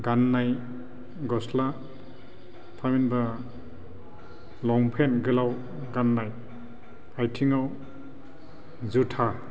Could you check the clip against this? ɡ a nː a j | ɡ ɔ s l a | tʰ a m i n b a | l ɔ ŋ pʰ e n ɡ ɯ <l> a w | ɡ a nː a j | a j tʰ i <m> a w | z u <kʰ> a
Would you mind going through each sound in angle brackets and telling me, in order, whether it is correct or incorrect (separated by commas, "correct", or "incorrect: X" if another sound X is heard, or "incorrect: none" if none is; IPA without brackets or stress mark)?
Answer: correct, incorrect: ŋ, incorrect: tʰ